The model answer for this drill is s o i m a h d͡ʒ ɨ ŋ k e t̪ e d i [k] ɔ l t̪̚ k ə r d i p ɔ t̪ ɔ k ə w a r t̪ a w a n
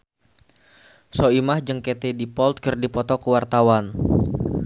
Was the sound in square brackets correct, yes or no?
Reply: no